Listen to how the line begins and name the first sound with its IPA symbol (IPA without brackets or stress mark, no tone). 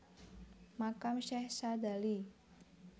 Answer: m